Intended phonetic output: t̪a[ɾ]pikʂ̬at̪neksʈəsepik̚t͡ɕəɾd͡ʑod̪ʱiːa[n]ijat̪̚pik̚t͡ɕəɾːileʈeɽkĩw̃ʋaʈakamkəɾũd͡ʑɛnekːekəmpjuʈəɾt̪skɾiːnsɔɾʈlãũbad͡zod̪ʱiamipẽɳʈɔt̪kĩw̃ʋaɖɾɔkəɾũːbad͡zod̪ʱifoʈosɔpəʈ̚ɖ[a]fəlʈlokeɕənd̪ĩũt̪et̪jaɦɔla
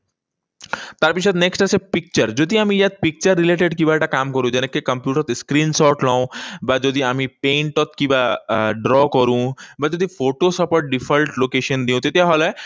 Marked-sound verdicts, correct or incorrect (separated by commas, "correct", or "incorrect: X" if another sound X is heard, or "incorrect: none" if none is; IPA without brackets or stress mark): correct, incorrect: m, incorrect: i